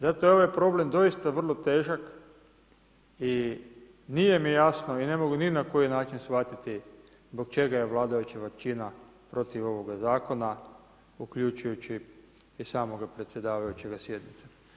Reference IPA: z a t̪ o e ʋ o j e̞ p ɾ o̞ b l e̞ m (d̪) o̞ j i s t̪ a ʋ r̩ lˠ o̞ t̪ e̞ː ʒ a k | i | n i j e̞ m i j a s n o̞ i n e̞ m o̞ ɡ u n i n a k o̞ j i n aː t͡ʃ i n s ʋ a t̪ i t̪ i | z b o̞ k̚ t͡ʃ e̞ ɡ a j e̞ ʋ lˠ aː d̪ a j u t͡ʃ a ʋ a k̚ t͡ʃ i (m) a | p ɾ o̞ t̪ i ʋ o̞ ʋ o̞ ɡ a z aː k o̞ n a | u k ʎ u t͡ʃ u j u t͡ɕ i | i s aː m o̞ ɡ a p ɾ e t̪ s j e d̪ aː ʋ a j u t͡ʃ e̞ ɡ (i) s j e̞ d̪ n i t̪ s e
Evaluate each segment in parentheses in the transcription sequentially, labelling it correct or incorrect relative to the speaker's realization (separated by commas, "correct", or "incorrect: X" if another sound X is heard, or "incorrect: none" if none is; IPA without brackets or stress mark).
correct, incorrect: n, incorrect: a